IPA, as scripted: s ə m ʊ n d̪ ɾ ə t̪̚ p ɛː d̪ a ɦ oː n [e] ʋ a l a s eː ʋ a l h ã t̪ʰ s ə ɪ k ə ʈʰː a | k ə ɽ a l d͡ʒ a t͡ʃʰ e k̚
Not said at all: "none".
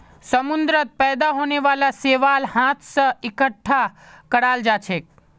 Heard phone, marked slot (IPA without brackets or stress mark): e